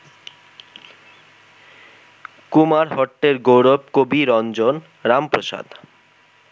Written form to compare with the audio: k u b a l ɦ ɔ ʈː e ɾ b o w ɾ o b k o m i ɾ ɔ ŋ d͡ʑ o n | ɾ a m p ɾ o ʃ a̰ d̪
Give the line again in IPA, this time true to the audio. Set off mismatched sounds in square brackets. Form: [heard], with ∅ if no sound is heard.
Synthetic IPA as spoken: k u [m] a [ɾ] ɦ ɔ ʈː e ɾ [ɡ] o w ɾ o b k o [b] i ɾ ɔ [n] d͡ʑ o n | ɾ a m p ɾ o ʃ a̰ d̪